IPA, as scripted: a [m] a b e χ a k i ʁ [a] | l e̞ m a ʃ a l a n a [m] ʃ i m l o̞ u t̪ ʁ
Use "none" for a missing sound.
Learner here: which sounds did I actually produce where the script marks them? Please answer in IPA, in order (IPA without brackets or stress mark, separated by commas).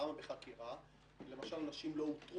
m, a, none